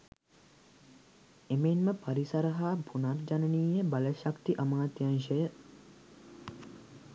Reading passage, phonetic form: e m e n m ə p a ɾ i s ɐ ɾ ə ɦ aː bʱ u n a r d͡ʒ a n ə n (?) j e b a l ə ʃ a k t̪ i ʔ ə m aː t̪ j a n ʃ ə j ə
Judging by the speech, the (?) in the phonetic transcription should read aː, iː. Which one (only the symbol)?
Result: iː